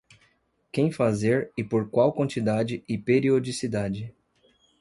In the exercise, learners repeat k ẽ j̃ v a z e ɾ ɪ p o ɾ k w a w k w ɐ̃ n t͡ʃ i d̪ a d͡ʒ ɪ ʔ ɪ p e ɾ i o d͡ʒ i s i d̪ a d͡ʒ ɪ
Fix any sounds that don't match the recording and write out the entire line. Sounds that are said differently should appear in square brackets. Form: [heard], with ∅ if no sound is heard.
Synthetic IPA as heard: k ẽ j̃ [f] a z e ɾ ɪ p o ɾ k w a w k w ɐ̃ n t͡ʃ i d̪ a d͡ʒ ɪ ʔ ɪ p e ɾ i o d͡ʒ i s i d̪ a d͡ʒ ɪ